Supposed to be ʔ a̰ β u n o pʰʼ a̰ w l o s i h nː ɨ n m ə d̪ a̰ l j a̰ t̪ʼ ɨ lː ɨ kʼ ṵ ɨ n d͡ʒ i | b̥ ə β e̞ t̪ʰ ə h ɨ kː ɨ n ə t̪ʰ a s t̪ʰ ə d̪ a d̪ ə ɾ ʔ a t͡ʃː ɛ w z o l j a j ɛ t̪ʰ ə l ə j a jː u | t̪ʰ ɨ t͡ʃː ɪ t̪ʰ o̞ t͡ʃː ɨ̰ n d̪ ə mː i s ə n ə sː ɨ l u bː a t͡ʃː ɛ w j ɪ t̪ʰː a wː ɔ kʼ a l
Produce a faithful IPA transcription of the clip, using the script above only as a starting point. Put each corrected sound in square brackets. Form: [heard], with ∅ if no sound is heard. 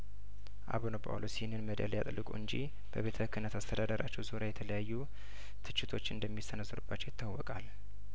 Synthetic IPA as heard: ʔ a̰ β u n o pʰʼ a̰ w l o s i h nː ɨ n m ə d̪ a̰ l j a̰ t̪ʼ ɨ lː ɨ kʼ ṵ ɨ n d͡ʒ i | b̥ ə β e̞ t̪ʰ ə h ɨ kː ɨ n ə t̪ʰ a s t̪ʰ ə d̪ a d̪ ə ɾ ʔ a t͡ʃː ɛ w z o [ɾ] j a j ɛ t̪ʰ ə l ə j a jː u | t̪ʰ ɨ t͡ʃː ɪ t̪ʰ o̞ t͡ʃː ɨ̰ n d̪ ə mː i s ə n ə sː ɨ [ɾ] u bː a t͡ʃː ɛ w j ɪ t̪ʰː a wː ɔ kʼ a l